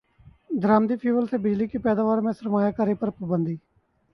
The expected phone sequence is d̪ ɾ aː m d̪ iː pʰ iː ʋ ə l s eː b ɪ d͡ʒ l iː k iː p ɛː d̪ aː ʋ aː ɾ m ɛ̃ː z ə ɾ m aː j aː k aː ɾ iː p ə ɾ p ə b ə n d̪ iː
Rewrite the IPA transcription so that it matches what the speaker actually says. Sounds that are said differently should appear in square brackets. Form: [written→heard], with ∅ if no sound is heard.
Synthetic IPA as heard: d̪ ɾ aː m d̪ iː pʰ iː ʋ ə l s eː b ɪ d͡ʒ l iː k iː p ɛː d̪ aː ʋ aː ɾ m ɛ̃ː [z→s] ə ɾ m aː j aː k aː ɾ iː p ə ɾ p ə b ə n d̪ iː